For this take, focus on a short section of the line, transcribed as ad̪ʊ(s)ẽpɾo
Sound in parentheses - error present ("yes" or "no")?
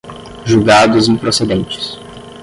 yes